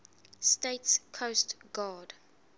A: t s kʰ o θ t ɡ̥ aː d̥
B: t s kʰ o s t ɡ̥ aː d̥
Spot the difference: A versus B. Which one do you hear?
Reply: B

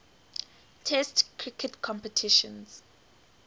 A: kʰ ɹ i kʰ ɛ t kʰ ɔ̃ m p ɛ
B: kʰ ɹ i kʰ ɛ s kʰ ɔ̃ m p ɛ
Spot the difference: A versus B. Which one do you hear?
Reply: A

